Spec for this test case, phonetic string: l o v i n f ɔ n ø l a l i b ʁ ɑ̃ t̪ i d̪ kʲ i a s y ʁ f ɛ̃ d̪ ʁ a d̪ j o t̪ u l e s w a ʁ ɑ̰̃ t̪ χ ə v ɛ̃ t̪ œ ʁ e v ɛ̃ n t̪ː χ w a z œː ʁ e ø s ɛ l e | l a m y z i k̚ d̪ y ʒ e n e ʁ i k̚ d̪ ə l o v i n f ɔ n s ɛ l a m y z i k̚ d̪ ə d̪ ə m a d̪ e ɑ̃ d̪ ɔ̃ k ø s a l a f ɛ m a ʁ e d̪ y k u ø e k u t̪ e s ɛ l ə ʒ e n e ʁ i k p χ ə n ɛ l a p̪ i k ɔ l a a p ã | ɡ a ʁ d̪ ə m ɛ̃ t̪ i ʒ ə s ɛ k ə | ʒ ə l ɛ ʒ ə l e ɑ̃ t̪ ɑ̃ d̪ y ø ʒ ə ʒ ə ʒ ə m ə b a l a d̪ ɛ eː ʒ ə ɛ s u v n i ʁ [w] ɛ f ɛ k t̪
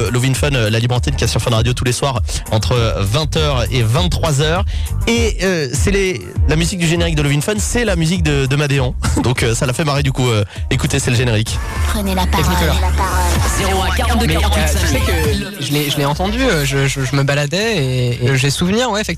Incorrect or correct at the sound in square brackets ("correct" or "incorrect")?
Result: correct